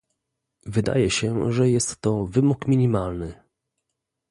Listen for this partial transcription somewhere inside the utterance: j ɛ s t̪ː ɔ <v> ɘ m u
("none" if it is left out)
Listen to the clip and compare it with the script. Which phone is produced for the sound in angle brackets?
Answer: v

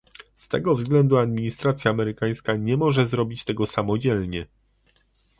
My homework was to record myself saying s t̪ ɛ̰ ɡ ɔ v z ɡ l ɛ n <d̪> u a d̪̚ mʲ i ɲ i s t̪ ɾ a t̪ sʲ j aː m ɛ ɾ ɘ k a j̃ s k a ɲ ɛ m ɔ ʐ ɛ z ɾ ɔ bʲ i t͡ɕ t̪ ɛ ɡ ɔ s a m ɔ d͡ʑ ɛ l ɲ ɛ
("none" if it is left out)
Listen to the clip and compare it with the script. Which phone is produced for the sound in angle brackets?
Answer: d̪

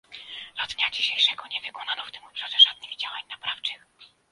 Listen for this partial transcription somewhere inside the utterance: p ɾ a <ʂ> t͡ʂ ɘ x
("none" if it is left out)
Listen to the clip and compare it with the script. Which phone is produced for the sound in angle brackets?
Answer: f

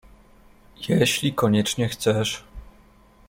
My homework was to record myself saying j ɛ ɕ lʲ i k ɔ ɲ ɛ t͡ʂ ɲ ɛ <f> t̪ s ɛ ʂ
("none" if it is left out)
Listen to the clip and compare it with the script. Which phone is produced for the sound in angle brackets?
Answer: x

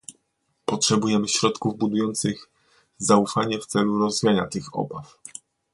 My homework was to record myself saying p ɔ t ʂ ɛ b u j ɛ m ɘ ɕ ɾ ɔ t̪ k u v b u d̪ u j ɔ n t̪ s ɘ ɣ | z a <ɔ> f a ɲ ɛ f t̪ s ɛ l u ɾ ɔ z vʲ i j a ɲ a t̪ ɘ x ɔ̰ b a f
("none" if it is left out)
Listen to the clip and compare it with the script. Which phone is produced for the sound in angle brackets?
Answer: u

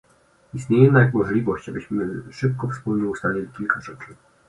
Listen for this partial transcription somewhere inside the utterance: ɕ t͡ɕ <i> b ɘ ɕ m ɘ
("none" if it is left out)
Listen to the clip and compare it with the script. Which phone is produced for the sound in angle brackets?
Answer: a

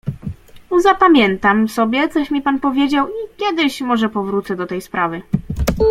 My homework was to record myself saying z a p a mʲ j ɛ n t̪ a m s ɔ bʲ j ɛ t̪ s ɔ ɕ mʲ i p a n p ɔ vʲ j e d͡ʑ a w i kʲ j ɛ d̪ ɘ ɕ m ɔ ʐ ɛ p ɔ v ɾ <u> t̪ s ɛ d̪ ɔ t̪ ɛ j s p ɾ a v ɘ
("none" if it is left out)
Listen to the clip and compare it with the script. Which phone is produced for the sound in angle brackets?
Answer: u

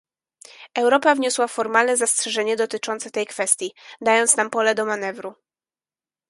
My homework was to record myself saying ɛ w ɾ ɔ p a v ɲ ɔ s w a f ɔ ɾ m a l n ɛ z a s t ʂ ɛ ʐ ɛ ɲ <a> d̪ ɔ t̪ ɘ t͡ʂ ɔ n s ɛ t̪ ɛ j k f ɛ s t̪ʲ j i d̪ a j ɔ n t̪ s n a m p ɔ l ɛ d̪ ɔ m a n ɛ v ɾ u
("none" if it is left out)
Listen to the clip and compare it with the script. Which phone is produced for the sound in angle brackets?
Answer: ɛ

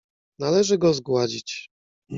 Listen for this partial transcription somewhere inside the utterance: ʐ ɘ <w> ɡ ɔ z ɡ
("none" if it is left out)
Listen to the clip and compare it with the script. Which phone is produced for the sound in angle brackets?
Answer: none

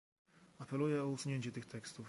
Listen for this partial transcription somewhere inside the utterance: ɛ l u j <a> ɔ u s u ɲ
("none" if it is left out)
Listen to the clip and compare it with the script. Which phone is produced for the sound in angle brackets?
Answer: ɛ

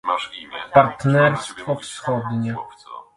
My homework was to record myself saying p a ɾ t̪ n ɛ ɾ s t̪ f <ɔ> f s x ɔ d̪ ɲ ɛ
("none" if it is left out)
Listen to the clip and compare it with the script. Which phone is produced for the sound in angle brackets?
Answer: ɔ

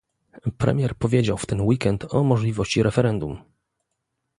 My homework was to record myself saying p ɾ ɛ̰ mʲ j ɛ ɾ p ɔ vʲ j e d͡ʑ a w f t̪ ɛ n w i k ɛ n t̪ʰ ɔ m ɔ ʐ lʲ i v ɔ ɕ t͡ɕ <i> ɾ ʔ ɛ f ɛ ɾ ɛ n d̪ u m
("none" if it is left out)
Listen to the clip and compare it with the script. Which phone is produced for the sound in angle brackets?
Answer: i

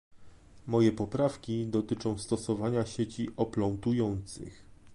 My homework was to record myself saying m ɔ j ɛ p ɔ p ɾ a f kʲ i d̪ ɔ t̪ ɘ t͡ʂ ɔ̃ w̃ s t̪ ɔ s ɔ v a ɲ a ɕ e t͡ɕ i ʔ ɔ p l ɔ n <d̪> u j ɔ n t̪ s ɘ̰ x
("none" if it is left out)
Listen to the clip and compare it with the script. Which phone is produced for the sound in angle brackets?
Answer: t̪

